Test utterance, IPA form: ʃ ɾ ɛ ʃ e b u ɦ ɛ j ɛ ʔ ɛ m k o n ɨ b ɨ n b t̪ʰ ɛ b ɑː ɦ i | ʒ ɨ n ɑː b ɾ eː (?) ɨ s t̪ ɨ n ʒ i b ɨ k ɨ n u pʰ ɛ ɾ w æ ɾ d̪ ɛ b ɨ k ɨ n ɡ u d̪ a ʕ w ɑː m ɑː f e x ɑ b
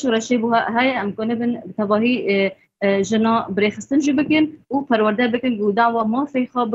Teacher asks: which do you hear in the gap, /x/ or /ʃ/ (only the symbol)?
x